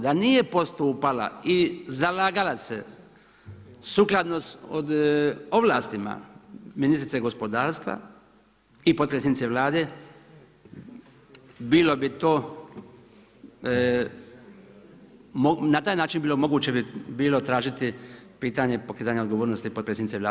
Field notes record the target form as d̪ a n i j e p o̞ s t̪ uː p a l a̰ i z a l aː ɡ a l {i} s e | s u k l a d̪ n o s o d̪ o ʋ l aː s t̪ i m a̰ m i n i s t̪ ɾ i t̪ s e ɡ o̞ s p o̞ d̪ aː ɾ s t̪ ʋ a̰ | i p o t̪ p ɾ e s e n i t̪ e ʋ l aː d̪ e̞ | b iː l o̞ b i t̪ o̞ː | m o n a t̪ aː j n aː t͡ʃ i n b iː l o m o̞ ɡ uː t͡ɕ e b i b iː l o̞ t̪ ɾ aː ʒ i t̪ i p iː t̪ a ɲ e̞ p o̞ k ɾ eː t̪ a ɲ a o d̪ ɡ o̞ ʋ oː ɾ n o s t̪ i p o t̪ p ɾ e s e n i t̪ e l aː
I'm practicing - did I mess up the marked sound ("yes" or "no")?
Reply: yes